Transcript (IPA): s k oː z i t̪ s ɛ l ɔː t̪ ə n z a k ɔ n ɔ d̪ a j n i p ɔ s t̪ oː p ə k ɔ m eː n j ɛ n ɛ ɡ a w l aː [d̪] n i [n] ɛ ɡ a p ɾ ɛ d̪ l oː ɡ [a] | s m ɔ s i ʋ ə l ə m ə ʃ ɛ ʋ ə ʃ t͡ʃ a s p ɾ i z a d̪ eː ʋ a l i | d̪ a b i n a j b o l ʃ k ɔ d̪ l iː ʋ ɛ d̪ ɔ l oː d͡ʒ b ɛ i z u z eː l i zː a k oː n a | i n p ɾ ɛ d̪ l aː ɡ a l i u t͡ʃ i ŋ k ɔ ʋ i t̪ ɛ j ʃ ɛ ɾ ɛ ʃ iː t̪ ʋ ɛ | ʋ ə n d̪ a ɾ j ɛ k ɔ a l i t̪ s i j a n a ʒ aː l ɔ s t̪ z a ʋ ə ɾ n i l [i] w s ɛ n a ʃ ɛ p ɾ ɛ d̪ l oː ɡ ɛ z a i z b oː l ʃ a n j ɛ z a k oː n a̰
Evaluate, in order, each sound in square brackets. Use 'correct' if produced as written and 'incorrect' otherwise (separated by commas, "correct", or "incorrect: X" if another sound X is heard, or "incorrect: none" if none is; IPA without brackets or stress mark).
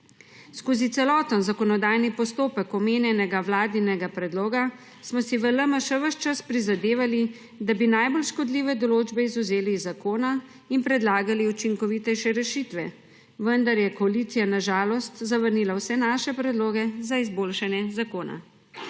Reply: correct, correct, correct, incorrect: a